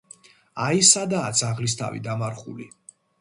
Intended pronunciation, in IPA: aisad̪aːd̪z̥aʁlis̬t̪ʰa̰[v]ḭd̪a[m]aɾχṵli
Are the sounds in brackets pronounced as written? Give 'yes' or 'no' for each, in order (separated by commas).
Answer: yes, yes